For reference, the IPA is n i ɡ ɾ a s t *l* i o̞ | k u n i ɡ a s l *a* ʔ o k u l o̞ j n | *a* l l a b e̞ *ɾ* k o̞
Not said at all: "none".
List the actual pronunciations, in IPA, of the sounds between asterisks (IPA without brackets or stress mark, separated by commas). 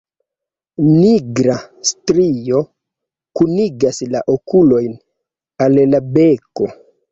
ɾ, a, a, none